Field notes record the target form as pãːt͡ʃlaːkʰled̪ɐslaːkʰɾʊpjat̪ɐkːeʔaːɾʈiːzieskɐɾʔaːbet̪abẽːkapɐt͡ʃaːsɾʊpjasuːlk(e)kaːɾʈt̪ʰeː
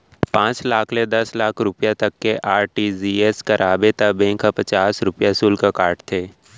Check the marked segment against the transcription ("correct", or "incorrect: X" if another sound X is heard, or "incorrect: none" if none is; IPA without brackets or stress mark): incorrect: a